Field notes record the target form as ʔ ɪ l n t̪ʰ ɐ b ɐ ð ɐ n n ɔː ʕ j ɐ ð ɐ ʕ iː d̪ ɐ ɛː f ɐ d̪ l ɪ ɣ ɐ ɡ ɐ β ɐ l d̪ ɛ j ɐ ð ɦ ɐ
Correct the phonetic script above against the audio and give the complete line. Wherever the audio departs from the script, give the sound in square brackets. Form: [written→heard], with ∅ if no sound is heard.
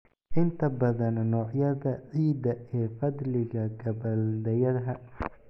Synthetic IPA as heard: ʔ ɪ [l→∅] n t̪ʰ ɐ b ɐ ð ɐ n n ɔː ʕ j ɐ ð ɐ ʕ iː d̪ ɐ ɛː f ɐ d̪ l ɪ ɣ ɐ ɡ ɐ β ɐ l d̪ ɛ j ɐ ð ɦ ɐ